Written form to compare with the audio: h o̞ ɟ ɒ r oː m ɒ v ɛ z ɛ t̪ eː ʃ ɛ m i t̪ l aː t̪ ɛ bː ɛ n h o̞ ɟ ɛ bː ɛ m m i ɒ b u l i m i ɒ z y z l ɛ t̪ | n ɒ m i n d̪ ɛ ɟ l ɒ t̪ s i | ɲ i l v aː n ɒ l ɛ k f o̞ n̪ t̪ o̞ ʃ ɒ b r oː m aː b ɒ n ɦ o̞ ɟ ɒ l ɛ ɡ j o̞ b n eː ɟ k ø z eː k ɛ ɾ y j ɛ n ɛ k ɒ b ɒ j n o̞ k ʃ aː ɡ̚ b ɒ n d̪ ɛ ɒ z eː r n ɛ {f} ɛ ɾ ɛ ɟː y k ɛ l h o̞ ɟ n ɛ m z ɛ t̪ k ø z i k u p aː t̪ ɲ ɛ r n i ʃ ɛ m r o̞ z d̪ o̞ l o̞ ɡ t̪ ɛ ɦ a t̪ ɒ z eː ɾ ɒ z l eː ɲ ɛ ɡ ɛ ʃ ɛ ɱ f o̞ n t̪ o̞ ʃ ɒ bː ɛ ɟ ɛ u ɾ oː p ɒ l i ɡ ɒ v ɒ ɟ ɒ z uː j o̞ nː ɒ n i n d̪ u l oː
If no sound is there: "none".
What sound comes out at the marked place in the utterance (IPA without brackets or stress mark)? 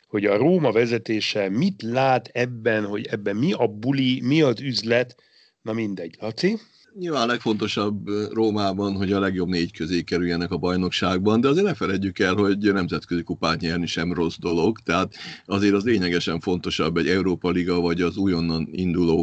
f